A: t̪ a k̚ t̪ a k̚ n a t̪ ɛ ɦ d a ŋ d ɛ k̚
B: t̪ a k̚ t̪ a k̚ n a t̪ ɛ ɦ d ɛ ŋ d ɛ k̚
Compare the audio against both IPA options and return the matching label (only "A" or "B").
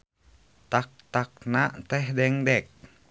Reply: B